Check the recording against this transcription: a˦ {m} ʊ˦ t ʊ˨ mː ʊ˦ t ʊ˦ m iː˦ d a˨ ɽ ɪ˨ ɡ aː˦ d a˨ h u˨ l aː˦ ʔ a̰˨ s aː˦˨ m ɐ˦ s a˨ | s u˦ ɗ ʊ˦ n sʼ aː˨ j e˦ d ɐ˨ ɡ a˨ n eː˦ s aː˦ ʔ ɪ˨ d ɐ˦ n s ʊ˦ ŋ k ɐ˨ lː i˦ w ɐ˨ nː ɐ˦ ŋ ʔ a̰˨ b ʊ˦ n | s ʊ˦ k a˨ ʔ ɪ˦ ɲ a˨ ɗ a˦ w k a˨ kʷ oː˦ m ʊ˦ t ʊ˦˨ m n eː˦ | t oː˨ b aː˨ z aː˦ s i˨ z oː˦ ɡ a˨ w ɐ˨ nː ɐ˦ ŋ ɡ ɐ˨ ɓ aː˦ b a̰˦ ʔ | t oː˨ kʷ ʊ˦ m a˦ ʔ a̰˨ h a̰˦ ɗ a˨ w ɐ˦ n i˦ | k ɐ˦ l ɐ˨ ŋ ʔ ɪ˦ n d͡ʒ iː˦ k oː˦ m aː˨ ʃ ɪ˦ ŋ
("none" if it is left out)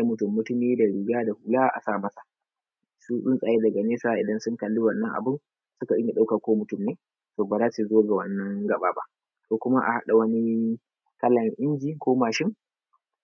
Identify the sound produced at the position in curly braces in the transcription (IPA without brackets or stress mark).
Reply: m